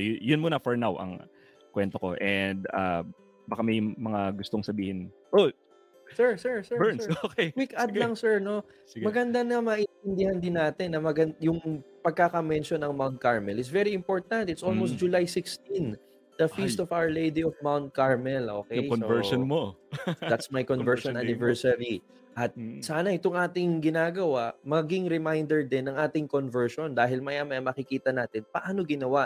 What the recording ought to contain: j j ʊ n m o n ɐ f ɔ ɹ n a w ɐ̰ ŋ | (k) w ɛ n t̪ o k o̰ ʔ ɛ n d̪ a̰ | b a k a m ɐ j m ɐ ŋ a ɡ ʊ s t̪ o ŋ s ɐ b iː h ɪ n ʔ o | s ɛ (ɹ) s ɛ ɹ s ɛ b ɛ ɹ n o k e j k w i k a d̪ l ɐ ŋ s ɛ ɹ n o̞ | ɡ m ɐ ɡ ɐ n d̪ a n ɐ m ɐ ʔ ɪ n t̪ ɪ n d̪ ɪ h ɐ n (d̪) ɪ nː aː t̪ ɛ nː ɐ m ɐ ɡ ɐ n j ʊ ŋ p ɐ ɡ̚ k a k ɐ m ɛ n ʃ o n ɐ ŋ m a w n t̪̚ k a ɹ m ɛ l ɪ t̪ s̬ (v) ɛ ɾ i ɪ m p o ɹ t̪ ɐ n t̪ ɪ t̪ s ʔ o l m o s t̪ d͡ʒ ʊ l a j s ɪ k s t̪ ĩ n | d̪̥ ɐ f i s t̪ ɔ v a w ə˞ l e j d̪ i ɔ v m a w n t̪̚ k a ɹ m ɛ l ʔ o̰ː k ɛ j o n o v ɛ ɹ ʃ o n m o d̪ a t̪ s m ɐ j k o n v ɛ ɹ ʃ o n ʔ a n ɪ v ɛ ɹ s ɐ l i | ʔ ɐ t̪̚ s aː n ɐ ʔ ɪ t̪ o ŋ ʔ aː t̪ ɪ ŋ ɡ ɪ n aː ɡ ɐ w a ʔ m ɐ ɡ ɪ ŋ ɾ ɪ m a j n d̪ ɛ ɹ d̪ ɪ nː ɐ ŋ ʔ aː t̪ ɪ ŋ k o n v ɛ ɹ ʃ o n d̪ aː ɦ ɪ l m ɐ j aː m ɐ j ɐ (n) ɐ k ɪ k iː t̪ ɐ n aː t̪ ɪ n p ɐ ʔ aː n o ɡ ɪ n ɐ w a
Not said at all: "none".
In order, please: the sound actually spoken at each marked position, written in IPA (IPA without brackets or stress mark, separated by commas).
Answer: k, ɹ, d̪, v, m